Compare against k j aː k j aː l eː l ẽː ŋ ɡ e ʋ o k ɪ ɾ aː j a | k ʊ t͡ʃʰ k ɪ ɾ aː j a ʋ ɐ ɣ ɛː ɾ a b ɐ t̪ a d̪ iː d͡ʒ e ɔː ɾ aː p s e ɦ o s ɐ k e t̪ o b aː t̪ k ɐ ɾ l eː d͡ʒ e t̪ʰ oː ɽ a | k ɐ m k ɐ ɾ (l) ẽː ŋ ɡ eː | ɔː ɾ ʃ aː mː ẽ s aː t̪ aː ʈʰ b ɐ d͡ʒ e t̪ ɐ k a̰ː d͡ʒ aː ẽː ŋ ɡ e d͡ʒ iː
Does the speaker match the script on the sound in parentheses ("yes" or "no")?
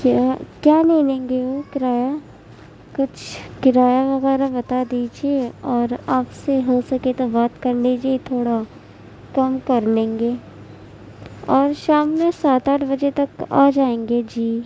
yes